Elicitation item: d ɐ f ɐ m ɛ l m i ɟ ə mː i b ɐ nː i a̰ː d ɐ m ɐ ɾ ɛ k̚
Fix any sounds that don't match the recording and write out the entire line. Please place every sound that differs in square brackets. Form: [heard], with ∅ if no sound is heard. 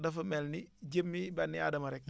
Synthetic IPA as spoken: d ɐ f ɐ m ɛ l [n] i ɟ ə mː i b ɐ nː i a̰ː d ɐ m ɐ ɾ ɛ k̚